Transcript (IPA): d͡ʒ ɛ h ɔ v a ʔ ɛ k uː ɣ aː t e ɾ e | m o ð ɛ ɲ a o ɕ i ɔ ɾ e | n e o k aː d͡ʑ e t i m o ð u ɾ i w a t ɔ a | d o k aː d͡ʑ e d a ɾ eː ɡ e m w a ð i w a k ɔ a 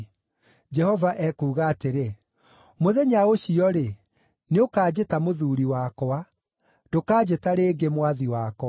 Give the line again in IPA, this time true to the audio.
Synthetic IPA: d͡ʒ ɛ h ɔ v a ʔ ɛ k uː ɣ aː t e ɾ e | m o ð ɛ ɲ a o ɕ i ɔ ɾ e | n e o k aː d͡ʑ e t a m o ð u ɾ i w a k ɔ a | d o k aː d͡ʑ e t a ɾ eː ɡ e m w a ð i w a k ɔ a